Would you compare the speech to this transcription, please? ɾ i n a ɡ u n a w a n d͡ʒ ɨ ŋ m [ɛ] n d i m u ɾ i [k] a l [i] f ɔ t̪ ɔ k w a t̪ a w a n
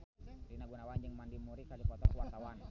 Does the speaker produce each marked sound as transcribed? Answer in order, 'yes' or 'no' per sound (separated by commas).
no, yes, yes